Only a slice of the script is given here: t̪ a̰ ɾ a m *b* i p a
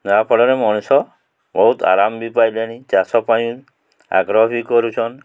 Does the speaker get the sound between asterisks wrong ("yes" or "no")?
no